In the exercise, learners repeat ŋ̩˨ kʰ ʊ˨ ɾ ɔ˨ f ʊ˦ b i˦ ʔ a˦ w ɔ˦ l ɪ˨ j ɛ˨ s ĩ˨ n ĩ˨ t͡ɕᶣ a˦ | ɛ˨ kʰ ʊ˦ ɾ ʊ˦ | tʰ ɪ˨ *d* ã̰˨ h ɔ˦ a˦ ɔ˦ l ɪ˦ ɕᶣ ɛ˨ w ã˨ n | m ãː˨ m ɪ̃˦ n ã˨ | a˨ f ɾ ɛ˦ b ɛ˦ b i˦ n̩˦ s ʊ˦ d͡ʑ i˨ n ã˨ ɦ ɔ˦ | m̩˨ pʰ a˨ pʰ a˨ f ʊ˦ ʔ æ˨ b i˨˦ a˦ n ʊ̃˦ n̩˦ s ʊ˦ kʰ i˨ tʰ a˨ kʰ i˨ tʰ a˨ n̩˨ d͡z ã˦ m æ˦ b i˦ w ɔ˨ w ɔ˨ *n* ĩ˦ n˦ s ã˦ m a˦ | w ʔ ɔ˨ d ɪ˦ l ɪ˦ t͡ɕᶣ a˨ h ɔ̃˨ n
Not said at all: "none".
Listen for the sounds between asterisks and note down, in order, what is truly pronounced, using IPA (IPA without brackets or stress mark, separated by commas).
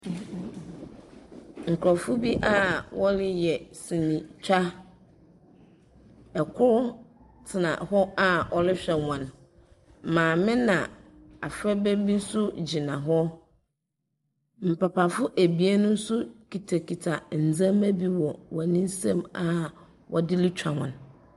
n, n